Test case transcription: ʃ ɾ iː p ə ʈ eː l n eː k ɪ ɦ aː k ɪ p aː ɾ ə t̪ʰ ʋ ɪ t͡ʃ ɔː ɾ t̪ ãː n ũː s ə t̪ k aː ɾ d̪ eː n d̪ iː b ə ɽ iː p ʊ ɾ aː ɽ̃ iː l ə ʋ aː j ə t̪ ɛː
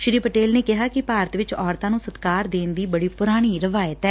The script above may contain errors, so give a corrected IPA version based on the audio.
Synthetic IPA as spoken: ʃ ɾ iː p ə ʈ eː l n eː k ɪ ɦ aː k ɪ p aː ɾ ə t̪ ʋ ɪ t͡ʃ ɔː ɾ t̪ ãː n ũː s ə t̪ k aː ɾ d̪ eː n d̪ iː b ə ɽ iː p ʊ ɾ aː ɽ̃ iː ɾ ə ʋ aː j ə t̪ ɛː